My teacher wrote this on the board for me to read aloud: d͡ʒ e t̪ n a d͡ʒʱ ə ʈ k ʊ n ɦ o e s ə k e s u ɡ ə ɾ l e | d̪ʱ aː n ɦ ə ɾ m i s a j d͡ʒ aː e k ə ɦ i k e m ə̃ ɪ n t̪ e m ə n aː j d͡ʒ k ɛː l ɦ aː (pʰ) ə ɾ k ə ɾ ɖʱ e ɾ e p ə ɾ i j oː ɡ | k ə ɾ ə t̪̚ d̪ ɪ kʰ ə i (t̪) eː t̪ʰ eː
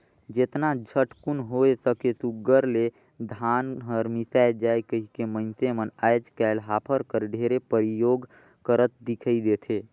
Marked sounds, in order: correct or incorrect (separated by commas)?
correct, incorrect